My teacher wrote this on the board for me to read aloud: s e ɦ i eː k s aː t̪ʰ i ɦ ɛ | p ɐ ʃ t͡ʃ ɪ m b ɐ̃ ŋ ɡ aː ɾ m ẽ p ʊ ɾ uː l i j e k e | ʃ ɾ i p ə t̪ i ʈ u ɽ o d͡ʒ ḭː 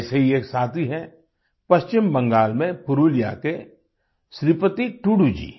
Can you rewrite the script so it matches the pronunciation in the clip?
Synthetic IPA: s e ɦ i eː k s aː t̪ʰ i ɦ ɛ | p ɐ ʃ t͡ʃ ɪ m b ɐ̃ ŋ ɡ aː l m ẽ p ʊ ɾ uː l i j a k e | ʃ ɾ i p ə t̪ i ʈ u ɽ u d͡ʒ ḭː